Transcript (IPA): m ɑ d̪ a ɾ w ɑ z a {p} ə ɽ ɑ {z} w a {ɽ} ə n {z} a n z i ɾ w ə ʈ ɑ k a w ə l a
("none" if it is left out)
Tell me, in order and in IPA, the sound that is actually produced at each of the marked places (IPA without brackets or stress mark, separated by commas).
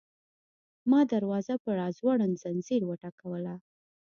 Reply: p, z, ɽ, z